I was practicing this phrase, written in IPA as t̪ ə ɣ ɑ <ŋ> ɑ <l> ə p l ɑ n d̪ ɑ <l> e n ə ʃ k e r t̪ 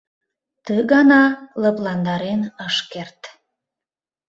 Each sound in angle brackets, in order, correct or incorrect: incorrect, correct, incorrect

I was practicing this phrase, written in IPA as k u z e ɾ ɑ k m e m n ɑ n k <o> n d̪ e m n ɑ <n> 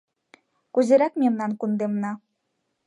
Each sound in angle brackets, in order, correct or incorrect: incorrect, incorrect

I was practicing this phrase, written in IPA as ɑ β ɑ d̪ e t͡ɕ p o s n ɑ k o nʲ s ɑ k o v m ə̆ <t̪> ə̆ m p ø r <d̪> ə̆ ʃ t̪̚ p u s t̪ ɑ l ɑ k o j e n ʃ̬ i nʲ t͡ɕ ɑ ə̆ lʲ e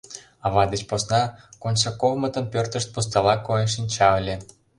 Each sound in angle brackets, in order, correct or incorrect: correct, incorrect

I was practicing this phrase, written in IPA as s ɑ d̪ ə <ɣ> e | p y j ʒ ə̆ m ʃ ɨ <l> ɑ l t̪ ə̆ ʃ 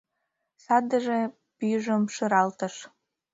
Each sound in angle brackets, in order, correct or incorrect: incorrect, incorrect

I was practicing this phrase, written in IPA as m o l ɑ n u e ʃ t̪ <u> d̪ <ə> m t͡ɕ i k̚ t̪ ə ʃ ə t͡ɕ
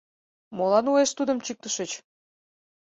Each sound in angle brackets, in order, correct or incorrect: correct, correct

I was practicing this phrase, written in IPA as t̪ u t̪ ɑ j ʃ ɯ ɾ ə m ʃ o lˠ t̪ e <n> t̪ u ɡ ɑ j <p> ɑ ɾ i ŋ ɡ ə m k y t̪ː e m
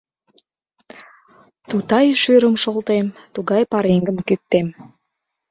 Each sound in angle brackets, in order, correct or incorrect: incorrect, correct

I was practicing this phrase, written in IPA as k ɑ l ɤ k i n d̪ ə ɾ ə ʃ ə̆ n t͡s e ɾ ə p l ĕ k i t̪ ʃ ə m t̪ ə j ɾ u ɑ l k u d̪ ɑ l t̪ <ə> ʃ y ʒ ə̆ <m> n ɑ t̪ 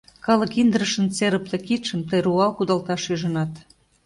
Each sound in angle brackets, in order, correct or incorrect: incorrect, incorrect

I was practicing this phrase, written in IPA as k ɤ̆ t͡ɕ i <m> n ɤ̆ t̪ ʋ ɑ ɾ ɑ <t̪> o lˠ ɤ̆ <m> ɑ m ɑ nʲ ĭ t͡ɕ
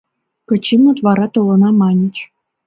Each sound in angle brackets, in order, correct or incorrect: correct, correct, incorrect

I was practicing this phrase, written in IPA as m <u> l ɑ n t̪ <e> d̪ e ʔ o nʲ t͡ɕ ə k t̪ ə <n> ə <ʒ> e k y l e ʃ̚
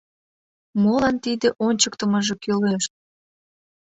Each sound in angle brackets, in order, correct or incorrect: incorrect, incorrect, incorrect, correct

